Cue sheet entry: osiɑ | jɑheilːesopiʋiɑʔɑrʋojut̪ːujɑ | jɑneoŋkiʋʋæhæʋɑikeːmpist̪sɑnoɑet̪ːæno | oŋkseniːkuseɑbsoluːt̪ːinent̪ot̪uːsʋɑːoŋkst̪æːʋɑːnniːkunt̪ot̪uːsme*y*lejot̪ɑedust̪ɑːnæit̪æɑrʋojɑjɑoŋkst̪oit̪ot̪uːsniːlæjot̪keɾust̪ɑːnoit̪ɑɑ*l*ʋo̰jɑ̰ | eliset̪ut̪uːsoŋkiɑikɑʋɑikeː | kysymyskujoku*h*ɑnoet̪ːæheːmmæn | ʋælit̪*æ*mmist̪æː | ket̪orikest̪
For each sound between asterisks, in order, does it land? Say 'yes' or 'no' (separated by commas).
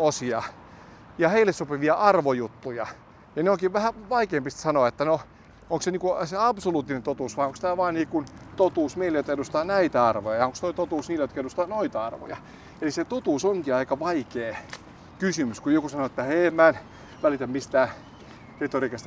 no, no, no, yes